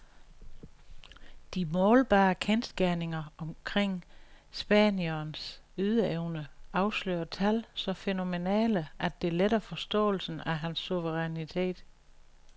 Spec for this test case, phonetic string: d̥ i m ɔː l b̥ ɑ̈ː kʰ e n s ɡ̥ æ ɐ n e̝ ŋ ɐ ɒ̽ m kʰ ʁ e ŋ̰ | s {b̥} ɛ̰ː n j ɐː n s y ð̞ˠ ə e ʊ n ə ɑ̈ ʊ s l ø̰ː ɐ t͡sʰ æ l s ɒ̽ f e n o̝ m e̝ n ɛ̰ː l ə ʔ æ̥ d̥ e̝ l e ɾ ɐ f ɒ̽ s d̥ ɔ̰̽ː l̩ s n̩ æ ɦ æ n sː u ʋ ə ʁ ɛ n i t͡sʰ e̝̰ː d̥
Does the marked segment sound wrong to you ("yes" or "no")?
no